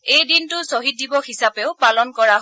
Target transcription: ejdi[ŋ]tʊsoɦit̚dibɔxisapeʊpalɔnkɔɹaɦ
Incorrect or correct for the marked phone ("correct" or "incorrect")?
incorrect